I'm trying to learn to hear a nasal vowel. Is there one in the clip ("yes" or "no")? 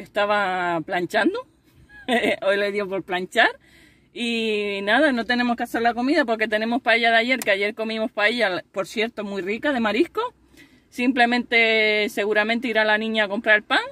yes